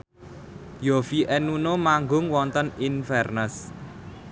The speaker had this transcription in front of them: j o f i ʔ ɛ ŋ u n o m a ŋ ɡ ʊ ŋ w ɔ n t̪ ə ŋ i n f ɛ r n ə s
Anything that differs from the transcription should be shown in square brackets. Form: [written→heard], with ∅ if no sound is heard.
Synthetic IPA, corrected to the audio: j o f i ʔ ɛ [ŋ→n] u n o m a ŋ ɡ ʊ ŋ w ɔ n t̪ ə [ŋ→n] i n f ɛ r n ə s